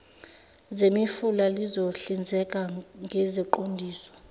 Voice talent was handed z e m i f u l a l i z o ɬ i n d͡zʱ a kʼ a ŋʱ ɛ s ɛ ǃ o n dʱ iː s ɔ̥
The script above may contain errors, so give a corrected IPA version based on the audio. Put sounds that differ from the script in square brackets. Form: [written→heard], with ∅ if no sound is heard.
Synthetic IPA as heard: z e m i f u l a l i z o ɬ i n d͡zʱ [a→ɛ] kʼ a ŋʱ ɛ [s→z] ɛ ǃ o n dʱ iː s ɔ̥